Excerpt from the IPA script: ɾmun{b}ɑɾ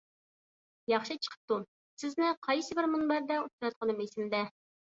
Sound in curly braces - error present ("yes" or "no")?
no